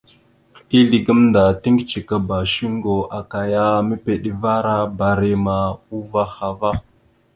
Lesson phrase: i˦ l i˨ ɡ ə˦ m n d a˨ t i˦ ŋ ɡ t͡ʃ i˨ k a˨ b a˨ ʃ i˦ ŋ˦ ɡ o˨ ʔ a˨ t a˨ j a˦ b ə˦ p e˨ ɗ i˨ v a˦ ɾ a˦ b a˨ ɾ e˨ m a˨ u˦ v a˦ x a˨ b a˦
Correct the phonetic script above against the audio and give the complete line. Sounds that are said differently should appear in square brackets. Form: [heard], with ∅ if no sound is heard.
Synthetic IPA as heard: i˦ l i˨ ɡ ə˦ m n d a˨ t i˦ ŋ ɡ t͡ʃ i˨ k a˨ b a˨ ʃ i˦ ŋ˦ ɡ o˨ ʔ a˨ [k] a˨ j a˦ [m] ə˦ p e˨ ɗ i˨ v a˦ ɾ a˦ b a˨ ɾ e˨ m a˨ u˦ v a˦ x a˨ [v] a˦